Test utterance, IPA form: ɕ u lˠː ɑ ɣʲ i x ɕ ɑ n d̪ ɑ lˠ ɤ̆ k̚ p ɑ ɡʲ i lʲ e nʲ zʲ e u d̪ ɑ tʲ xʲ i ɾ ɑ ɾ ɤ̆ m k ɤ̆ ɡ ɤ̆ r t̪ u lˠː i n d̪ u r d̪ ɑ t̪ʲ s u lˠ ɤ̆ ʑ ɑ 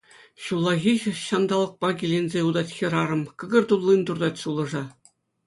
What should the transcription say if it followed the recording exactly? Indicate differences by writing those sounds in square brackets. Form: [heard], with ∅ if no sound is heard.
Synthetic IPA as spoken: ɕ u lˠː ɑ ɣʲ i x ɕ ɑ n d̪ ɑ lˠ ɤ̆ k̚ p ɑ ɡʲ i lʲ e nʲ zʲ e u d̪ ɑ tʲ xʲ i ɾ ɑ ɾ ɤ̆ m k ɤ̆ ɡ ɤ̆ r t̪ u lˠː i n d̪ u r d̪ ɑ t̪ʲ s u lˠ ɤ̆ [ʐ] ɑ